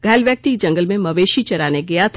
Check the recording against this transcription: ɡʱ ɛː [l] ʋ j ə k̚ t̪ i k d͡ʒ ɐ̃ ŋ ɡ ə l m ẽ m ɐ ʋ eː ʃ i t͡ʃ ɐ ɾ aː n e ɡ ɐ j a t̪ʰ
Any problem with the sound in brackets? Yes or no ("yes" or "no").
no